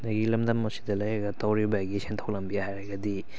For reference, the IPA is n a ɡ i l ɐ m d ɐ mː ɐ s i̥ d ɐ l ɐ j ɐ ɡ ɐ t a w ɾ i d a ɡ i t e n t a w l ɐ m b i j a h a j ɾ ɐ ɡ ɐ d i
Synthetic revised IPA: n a ɡ i l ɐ m d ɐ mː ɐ s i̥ d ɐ l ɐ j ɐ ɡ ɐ t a w ɾ i b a ɡ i s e n tʰ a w l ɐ m b i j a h a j ɾ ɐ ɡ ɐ d i